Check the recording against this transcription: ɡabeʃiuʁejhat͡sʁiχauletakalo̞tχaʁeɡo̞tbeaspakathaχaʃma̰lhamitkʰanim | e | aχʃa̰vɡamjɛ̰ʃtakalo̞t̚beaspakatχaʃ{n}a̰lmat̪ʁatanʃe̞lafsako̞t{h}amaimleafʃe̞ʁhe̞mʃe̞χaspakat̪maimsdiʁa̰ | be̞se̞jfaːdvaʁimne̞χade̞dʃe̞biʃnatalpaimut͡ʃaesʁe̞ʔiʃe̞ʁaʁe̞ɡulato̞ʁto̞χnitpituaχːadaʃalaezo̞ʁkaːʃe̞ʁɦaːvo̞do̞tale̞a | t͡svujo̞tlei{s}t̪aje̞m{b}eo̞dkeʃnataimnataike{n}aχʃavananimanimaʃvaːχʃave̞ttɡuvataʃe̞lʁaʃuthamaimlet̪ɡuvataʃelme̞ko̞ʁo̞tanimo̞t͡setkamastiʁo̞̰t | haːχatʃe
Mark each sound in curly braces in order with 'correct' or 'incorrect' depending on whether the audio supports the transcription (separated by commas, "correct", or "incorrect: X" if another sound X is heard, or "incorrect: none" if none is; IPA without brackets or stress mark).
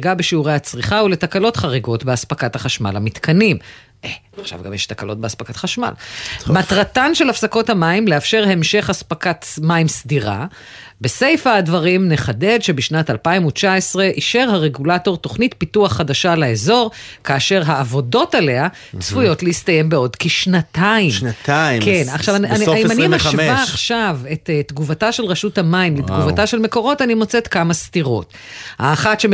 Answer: incorrect: m, correct, correct, correct, correct